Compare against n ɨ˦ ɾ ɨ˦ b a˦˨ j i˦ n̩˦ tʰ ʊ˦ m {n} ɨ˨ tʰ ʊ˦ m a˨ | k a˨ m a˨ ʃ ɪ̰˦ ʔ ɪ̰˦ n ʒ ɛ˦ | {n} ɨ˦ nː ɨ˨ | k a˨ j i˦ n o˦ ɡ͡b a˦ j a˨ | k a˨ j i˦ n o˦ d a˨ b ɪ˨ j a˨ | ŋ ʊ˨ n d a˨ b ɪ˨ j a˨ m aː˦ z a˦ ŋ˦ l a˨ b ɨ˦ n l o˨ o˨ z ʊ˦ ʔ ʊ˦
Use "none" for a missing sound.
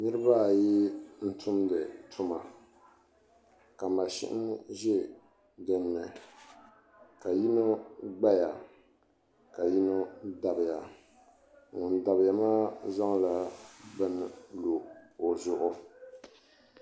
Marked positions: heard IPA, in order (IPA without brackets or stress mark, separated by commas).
d, d